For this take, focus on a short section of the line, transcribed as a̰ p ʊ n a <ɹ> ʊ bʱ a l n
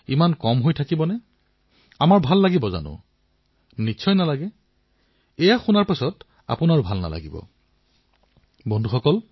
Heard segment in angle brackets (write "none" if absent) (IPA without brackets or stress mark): ɹ